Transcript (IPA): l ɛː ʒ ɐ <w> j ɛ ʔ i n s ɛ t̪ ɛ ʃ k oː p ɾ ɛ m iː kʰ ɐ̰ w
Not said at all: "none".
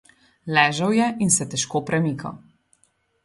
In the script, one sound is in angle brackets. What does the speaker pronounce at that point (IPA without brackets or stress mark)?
w